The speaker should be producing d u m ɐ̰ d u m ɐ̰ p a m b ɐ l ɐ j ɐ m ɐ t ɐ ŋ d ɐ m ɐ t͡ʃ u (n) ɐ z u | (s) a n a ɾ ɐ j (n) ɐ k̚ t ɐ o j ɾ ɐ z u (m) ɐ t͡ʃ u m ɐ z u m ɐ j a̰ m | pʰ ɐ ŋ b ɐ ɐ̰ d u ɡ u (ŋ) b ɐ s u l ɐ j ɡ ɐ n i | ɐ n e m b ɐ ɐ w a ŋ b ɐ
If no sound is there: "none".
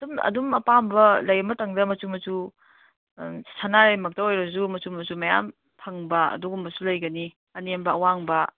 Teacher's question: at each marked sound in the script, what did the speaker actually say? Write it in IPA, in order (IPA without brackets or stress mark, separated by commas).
m, s, m, m, m